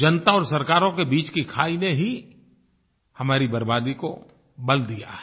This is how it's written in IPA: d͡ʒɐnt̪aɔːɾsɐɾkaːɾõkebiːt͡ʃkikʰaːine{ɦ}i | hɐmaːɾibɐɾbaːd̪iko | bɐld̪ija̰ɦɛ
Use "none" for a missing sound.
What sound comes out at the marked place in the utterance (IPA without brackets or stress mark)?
ɦ